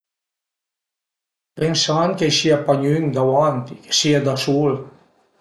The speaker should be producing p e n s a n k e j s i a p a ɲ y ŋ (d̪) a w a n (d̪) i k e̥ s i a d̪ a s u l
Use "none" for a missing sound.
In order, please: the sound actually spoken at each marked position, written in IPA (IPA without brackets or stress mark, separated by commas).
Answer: d̪, t̪